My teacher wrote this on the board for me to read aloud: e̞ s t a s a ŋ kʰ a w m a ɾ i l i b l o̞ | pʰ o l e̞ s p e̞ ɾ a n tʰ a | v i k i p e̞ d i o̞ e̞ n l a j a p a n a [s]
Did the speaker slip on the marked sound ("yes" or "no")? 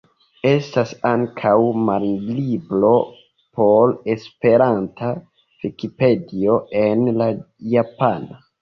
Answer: yes